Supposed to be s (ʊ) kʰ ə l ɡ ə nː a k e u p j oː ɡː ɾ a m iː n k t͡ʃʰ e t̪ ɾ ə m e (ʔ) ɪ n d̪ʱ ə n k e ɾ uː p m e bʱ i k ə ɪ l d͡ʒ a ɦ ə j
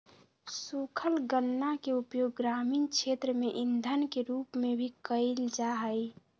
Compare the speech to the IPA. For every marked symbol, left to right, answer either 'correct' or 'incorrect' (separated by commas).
incorrect, correct